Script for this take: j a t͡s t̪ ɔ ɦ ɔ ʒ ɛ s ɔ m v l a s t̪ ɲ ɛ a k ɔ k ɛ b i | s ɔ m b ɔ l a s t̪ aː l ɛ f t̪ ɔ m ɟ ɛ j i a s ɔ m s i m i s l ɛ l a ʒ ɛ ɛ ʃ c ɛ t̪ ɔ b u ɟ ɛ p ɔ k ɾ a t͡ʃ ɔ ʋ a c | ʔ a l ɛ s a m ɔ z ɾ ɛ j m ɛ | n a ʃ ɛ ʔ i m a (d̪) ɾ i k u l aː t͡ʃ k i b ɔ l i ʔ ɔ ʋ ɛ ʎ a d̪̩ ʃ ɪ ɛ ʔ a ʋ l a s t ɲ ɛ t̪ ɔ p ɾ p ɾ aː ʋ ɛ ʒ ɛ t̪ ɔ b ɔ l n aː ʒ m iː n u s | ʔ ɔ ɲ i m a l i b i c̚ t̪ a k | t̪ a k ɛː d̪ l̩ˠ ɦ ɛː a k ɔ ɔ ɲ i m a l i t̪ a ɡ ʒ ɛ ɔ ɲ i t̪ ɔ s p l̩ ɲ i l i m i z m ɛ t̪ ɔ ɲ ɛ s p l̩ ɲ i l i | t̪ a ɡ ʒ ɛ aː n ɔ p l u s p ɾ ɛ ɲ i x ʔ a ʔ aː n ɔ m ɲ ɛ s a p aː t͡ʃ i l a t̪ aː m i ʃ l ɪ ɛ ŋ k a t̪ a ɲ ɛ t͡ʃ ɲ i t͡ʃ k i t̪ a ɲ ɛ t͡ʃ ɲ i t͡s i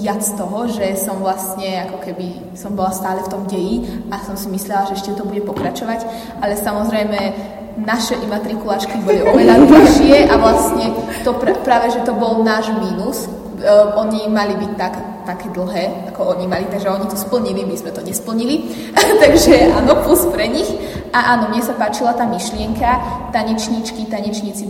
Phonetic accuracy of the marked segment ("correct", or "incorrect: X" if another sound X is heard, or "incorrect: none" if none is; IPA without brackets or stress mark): incorrect: t̪